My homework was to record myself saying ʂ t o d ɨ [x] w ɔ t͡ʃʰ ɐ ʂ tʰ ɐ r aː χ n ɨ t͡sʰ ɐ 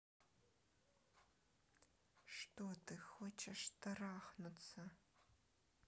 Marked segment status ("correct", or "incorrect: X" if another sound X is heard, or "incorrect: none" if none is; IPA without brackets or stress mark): correct